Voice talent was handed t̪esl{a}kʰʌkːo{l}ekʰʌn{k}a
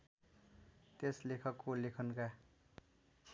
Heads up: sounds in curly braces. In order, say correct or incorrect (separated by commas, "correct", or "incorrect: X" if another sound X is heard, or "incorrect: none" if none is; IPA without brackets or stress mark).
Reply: incorrect: e, correct, correct